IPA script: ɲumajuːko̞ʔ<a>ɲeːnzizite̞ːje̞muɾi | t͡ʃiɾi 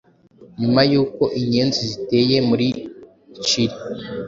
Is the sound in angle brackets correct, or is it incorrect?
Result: incorrect: i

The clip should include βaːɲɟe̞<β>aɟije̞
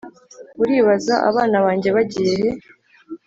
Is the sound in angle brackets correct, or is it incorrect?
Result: correct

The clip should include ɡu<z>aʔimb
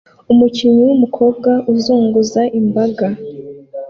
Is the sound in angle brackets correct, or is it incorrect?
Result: correct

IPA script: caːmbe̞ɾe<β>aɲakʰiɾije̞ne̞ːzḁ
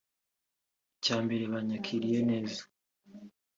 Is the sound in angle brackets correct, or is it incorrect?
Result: correct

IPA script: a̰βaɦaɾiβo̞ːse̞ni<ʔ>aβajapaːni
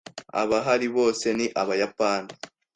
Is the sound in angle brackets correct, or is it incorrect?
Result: correct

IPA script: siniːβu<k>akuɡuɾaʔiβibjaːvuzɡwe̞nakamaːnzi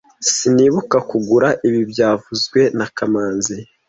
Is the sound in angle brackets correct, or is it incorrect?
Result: correct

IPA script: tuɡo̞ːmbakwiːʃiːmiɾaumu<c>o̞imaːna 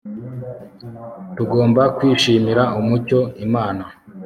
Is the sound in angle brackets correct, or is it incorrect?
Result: correct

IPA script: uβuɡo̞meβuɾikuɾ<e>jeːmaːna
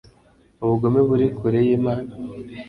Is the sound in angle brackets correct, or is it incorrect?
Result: correct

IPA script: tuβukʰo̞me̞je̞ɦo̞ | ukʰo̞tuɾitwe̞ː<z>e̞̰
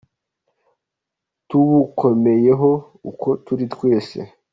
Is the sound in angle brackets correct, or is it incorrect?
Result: incorrect: s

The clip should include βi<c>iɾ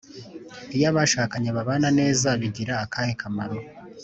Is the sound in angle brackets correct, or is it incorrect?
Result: incorrect: ɟ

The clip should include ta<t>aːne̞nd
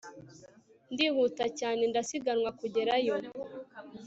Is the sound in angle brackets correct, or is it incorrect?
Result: incorrect: c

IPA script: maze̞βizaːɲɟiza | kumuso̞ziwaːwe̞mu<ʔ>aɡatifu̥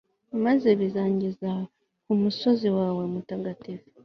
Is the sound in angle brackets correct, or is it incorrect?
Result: incorrect: t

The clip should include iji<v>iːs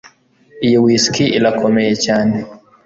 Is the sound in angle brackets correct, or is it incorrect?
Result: incorrect: w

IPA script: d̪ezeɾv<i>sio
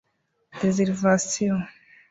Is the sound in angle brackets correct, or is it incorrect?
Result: incorrect: a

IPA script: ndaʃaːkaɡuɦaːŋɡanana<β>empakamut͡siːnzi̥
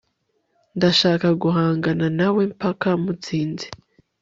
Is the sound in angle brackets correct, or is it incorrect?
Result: incorrect: w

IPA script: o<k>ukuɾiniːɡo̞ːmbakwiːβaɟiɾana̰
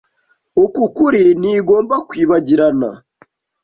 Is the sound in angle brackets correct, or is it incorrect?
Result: correct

